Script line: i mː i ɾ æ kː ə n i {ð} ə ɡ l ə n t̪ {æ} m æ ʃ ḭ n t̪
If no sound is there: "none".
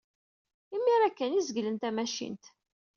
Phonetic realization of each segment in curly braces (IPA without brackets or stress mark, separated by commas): z, æ